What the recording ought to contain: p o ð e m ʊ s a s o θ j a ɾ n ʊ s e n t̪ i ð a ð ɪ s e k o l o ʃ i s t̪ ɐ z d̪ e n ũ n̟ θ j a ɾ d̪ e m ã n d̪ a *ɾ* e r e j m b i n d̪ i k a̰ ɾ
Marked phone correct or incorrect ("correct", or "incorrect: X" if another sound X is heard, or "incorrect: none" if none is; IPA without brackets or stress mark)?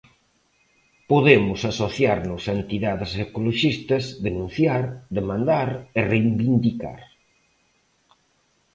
correct